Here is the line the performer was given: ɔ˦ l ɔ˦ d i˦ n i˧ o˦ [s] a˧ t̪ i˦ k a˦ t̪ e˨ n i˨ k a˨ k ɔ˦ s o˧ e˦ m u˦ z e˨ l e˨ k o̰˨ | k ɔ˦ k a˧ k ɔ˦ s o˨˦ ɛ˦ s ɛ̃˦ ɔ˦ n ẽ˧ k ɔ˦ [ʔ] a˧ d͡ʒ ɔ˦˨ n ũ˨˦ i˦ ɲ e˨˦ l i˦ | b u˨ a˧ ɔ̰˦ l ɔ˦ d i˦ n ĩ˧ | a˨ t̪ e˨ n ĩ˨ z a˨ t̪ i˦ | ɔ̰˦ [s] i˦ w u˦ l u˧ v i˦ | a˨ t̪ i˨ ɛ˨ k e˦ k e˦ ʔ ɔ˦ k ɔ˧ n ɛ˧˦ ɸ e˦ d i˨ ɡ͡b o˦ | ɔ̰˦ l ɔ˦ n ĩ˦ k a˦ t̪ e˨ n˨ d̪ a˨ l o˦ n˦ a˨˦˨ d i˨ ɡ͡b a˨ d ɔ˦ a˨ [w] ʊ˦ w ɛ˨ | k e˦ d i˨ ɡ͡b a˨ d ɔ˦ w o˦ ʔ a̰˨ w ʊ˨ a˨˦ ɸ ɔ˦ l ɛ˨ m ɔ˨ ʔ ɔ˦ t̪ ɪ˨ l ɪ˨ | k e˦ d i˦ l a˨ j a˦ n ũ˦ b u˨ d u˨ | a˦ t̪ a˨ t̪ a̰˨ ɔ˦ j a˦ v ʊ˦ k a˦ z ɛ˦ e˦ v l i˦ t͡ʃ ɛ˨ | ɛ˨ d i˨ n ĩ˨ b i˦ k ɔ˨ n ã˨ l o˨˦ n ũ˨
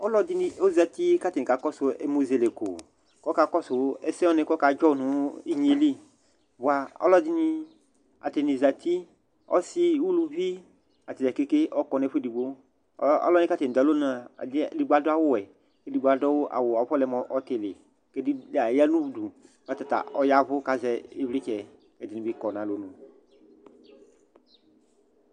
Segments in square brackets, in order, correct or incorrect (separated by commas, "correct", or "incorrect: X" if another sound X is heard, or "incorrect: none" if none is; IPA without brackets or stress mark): incorrect: z, incorrect: k, correct, correct